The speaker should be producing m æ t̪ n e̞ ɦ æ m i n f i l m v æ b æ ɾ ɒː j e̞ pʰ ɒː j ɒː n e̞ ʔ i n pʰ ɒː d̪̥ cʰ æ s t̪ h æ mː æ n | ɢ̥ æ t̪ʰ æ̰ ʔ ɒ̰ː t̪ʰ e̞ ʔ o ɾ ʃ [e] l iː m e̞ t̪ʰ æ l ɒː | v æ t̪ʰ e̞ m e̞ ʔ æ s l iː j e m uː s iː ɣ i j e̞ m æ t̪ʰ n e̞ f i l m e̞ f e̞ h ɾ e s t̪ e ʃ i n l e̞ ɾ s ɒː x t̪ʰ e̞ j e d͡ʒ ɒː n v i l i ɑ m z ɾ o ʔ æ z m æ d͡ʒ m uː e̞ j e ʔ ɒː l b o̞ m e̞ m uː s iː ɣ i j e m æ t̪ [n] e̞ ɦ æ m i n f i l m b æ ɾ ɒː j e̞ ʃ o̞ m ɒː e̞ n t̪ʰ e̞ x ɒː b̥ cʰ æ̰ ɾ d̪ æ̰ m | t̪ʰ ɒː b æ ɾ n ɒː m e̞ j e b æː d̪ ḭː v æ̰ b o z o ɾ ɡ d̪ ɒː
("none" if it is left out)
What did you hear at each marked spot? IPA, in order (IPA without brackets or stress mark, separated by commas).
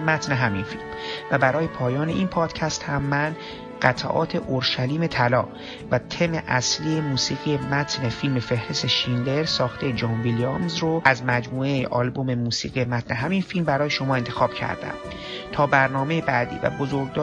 æ, n